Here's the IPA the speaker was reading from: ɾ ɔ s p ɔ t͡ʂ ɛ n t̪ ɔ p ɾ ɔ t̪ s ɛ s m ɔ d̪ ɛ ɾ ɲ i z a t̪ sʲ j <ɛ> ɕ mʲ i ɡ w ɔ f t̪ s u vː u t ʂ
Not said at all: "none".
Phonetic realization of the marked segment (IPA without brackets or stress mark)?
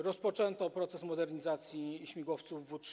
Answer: i